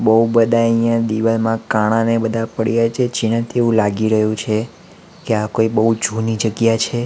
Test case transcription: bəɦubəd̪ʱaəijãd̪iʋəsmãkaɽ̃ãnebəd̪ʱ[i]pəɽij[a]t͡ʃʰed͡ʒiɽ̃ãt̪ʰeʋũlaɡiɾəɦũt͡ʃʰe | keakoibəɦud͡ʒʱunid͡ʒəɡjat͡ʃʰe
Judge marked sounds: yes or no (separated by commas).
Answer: no, yes